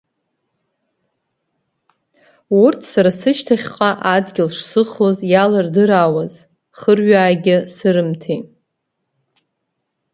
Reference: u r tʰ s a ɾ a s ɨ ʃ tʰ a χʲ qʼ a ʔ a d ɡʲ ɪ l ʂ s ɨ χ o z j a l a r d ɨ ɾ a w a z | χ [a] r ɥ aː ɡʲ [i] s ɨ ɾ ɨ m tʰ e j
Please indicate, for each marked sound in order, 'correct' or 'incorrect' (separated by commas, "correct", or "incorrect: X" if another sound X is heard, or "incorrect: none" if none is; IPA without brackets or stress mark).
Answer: incorrect: ə, incorrect: ɪ